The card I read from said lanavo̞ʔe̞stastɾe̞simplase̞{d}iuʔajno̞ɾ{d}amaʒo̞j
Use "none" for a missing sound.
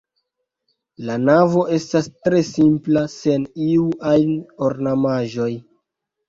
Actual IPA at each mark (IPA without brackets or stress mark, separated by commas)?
n, n